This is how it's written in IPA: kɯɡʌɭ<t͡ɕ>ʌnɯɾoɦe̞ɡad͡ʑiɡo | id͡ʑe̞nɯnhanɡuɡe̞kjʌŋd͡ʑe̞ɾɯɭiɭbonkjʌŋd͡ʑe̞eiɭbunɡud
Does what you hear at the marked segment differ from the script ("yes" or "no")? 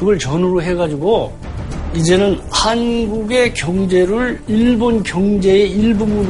no